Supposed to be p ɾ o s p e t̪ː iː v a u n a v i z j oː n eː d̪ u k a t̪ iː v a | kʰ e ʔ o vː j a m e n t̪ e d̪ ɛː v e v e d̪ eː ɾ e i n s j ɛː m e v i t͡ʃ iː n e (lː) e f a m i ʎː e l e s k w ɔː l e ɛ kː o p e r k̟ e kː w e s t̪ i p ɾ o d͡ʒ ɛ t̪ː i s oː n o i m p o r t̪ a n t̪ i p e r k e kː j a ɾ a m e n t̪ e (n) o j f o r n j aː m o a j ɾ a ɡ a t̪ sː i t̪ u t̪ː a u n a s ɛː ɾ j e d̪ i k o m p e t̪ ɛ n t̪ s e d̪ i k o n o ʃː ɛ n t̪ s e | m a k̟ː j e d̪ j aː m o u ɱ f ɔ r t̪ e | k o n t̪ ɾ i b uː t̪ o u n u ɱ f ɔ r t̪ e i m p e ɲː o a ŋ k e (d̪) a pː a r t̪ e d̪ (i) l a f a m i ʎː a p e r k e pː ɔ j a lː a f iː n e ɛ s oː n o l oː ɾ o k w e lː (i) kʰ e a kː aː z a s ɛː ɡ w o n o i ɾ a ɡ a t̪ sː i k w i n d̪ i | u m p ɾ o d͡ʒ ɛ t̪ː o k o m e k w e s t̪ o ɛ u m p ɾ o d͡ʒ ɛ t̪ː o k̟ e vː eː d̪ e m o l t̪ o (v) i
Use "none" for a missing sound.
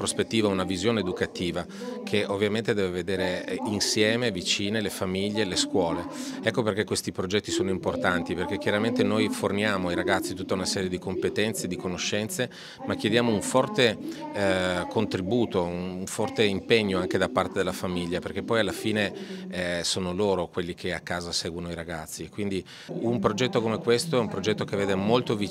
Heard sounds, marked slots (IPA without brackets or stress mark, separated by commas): l, n, d̪, e, i, v